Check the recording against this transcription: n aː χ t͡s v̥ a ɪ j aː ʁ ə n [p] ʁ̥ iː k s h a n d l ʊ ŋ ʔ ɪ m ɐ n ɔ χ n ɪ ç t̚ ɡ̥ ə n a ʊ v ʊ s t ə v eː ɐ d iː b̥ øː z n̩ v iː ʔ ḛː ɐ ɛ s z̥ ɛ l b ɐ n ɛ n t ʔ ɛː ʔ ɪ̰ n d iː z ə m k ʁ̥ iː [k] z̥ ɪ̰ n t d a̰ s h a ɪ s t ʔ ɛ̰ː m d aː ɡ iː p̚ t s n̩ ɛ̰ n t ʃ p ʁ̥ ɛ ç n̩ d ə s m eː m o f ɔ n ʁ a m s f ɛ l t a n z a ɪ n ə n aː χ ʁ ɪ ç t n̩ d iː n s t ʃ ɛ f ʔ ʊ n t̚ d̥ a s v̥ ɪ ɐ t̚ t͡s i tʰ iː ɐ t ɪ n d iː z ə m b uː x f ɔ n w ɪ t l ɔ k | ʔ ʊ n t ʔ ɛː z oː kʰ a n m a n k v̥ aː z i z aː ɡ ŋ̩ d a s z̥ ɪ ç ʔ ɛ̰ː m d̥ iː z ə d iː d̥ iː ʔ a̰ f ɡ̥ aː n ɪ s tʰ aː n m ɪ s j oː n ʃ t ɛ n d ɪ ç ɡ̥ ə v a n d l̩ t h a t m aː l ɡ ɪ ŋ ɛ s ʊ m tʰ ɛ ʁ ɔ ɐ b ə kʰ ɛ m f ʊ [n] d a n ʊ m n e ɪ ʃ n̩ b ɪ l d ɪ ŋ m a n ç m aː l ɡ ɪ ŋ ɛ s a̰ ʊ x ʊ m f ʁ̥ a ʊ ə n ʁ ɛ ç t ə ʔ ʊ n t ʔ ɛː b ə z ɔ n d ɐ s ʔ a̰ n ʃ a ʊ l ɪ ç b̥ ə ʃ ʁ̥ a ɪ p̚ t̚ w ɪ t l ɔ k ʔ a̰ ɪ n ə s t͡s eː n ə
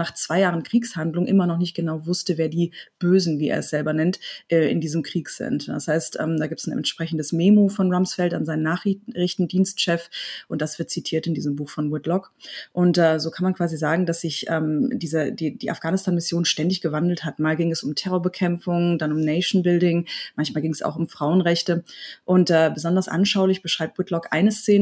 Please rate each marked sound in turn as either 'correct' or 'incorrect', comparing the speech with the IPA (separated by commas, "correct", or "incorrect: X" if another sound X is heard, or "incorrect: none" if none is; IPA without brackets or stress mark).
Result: incorrect: k, correct, incorrect: ŋ